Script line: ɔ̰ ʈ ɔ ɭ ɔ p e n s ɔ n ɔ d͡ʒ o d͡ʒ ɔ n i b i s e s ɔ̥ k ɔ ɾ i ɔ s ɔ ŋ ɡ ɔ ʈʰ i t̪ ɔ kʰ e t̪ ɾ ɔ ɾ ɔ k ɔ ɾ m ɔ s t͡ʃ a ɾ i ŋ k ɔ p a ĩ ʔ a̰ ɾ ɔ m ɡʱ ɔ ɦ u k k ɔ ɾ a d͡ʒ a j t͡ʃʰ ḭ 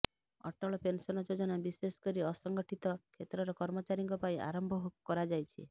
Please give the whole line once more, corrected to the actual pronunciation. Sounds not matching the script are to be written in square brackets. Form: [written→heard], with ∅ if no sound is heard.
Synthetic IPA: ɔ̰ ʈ ɔ ɭ ɔ p e n s ɔ n ɔ d͡ʒ o d͡ʒ ɔ n [i→a] b i s e s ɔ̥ k ɔ ɾ i ɔ s ɔ ŋ ɡ ɔ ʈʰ i t̪ ɔ kʰ e t̪ ɾ ɔ ɾ ɔ k ɔ ɾ m ɔ [s→∅] t͡ʃ a ɾ i ŋ k ɔ p a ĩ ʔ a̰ ɾ ɔ m [ɡʱ→bʱ] ɔ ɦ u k k ɔ ɾ a d͡ʒ a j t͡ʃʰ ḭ